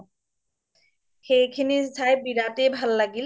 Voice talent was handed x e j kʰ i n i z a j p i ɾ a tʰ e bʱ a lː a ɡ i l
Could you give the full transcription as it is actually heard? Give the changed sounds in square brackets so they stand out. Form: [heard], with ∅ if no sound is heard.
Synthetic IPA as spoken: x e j kʰ i n i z a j [b] i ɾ a [t] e bʱ a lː a ɡ i l